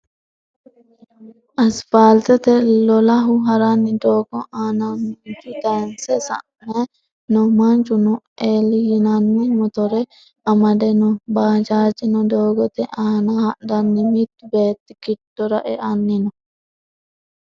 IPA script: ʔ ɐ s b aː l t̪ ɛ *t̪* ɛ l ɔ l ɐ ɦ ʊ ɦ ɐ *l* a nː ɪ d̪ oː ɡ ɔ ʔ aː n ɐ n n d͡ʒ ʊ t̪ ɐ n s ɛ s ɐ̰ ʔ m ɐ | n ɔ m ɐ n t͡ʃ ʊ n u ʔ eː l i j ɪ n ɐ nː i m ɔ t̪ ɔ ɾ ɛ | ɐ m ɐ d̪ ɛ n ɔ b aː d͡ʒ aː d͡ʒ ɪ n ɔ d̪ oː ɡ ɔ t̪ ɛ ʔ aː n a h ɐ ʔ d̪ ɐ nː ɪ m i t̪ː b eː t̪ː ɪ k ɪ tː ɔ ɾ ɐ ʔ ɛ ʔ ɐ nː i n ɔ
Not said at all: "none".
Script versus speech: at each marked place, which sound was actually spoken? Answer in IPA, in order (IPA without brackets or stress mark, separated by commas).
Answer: t̪, ɾ